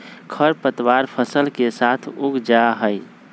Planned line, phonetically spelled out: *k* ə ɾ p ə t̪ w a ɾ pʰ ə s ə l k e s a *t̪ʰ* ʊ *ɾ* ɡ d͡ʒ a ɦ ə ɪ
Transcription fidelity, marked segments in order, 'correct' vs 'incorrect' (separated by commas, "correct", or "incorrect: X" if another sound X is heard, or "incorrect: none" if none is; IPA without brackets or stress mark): incorrect: kʰ, correct, incorrect: none